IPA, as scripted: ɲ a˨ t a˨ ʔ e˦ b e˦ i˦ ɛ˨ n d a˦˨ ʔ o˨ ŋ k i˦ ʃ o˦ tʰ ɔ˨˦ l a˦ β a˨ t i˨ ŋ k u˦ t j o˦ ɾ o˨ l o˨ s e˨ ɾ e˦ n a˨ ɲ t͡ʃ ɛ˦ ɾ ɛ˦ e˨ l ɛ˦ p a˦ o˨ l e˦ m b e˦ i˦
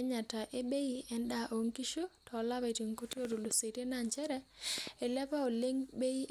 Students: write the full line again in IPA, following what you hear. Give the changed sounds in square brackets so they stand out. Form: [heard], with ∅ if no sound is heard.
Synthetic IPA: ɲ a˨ t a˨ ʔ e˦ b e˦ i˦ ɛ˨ n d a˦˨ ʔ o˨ ŋ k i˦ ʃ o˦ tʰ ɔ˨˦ l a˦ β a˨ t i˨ ŋ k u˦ t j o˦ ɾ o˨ l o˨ s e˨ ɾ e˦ n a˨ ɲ t͡ʃ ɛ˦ ɾ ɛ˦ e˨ l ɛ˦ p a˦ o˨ l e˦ [ŋ] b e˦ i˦